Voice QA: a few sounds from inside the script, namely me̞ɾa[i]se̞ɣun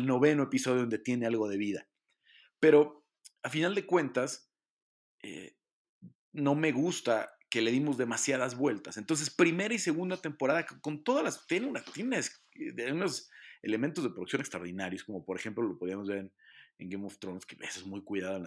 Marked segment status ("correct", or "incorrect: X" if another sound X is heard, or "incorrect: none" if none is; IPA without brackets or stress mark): correct